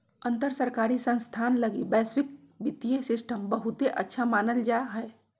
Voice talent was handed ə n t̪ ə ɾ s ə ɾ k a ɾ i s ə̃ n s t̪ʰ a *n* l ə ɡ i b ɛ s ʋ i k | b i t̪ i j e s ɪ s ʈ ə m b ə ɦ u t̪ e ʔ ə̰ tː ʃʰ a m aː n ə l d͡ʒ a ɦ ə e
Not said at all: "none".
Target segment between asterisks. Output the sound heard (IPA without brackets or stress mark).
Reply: n